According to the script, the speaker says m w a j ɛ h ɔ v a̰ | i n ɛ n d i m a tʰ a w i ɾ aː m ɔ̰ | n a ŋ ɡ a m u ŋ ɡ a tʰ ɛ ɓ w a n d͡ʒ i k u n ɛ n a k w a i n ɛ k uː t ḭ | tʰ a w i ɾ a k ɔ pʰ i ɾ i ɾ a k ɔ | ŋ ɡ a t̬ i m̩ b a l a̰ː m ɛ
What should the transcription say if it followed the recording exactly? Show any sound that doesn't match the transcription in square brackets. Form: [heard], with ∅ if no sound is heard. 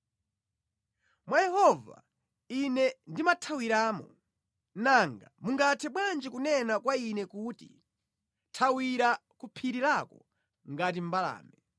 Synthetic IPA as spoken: m w a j ɛ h ɔ v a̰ | i n ɛ n d i m a tʰ a w i ɾ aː m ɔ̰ | n a ŋ ɡ a m u ŋ ɡ a tʰ ɛ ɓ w a n d͡ʒ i k u n ɛ n a k w a i n ɛ k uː t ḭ | tʰ a w i ɾ a k [u] pʰ i ɾ i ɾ a k ɔ | ŋ ɡ a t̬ i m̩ b a l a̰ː m ɛ